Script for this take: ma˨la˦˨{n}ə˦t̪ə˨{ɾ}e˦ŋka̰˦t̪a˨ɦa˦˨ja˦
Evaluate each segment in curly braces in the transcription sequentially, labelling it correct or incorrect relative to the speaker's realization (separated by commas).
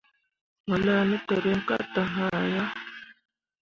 correct, correct